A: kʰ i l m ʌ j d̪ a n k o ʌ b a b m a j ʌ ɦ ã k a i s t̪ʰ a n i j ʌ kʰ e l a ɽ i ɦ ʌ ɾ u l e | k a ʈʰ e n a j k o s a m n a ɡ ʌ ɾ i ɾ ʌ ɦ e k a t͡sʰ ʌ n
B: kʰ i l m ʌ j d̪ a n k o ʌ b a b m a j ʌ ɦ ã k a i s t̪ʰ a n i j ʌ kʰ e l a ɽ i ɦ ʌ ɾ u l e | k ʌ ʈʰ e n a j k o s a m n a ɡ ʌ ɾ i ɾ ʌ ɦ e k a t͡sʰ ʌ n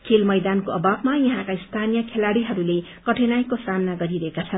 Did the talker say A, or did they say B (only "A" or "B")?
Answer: B